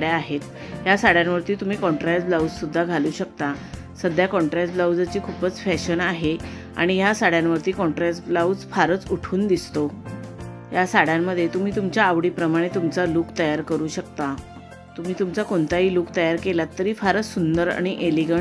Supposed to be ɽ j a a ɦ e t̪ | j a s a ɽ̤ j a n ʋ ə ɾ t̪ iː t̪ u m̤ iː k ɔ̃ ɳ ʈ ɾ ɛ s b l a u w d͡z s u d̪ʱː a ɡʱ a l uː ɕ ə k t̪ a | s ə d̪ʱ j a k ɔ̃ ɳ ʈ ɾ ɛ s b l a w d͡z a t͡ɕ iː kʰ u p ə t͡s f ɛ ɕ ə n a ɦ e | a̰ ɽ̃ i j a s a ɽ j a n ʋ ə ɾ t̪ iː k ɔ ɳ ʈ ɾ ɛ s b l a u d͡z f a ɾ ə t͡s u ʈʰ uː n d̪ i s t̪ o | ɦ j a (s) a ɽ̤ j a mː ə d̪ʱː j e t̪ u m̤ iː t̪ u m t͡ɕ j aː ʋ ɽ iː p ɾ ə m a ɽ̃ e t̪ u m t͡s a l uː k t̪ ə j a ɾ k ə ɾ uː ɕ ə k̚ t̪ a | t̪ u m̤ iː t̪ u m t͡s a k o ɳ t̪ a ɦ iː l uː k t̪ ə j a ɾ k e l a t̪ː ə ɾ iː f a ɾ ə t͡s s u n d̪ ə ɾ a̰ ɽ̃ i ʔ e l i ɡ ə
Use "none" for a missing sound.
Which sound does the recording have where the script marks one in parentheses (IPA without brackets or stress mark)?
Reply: s